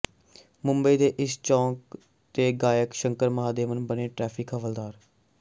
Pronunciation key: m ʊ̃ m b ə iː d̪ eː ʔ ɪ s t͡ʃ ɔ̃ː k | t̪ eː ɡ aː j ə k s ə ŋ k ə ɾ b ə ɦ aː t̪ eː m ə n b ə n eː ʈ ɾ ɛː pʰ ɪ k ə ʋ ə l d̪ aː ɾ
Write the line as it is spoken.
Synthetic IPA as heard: m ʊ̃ m b ə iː d̪ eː ʔ ɪ s t͡ʃ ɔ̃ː k | t̪ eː ɡ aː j ə k ʃ ə ŋ k ə ɾ m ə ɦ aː d̪ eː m ə n b ə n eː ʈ ɾ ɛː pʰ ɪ k ə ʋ ə l d̪ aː ɾ